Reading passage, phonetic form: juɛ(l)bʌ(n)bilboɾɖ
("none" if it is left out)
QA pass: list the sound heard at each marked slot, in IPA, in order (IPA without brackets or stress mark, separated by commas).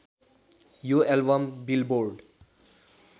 l, m